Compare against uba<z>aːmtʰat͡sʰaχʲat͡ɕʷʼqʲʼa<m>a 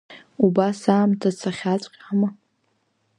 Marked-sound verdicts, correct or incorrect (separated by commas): incorrect, correct